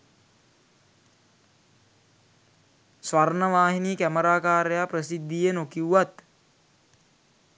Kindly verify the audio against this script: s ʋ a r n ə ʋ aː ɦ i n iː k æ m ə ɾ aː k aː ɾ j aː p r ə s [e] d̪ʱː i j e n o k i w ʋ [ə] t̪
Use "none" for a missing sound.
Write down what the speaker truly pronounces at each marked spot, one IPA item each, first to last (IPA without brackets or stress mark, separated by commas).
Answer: i, a